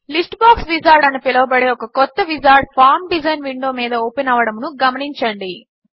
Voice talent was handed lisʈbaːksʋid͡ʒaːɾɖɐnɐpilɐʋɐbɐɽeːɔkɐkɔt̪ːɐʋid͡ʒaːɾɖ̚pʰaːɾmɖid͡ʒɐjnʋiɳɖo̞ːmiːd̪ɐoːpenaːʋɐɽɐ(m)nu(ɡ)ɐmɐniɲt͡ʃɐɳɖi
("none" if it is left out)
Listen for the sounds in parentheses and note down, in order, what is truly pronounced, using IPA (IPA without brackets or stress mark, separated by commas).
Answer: m, ɡ